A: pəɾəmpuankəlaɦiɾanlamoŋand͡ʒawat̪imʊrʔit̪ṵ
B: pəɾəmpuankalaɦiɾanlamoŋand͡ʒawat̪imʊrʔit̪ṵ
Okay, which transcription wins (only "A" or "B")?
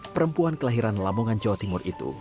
A